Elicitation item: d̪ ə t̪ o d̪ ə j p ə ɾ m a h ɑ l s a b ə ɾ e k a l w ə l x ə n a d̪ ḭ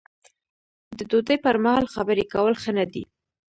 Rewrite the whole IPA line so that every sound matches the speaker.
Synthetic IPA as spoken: d̪ ə d̪ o d̪ ə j p ə ɾ m a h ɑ l x a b ə ɾ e k a w ə l x ə n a d̪ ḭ